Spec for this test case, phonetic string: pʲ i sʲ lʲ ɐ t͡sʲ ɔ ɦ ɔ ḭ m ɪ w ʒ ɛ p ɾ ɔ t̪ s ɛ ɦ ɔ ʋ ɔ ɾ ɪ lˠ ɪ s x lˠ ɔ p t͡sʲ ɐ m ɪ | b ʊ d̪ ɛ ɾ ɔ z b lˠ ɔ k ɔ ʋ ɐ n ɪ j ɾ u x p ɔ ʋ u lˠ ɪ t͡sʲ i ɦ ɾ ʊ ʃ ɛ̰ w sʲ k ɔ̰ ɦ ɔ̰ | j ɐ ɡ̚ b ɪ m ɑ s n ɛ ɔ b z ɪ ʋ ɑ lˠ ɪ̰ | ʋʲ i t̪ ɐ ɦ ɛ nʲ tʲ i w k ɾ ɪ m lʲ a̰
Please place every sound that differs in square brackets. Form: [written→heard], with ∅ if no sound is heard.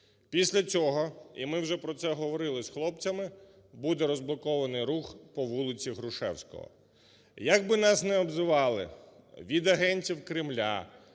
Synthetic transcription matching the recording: pʲ i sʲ lʲ ɐ t͡sʲ ɔ ɦ ɔ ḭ m ɪ w ʒ ɛ p ɾ ɔ t̪ s ɛ ɦ ɔ ʋ ɔ ɾ ɪ lˠ ɪ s x lˠ ɔ p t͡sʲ ɐ m ɪ | b [ʊ→u] d̪ ɛ ɾ ɔ z b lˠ ɔ k ɔ ʋ ɐ n ɪ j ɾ u x p ɔ ʋ u lˠ ɪ t͡sʲ i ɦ ɾ ʊ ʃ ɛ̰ w sʲ k ɔ̰ ɦ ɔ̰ | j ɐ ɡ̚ b ɪ [m→n] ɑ s n ɛ ɔ b z ɪ ʋ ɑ lˠ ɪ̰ | ʋʲ i [t̪→d̪] ɐ ɦ ɛ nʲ tʲ i w k ɾ ɪ m lʲ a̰